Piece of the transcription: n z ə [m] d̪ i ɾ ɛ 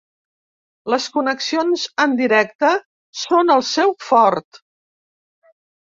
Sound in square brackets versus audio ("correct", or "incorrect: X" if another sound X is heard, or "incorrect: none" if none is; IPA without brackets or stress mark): incorrect: n